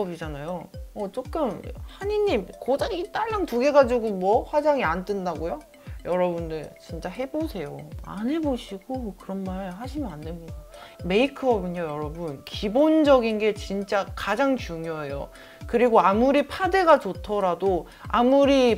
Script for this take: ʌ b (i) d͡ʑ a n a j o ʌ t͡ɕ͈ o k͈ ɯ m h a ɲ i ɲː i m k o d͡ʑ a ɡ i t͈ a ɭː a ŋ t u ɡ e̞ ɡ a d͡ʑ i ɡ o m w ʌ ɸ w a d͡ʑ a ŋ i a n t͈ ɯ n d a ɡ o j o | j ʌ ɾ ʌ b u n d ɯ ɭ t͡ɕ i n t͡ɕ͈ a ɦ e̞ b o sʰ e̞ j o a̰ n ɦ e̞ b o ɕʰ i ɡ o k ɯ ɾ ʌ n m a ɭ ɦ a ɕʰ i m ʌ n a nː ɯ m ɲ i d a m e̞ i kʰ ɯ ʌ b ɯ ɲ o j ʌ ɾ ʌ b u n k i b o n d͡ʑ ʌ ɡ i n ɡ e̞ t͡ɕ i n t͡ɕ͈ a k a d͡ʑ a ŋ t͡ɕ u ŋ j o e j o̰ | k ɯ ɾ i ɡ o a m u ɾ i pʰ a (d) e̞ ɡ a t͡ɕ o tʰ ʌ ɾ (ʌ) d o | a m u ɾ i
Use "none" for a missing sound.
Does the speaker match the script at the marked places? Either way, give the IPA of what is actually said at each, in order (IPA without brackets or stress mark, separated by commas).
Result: i, d, a